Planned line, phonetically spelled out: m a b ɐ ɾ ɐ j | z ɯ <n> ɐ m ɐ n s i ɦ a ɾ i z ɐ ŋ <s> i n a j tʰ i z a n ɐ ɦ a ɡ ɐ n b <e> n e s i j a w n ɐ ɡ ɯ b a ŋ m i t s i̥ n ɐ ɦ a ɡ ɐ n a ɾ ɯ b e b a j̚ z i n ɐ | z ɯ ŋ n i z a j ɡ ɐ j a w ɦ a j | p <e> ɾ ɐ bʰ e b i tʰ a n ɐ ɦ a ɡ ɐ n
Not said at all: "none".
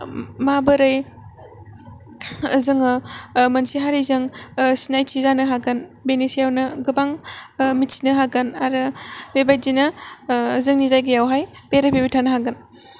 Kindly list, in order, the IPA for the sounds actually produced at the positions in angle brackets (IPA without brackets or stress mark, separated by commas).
ŋ, s, e, e